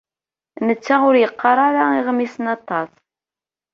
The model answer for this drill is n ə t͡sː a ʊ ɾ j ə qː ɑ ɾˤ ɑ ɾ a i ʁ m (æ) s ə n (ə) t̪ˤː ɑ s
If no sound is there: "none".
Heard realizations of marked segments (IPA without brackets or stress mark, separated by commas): i, ɑ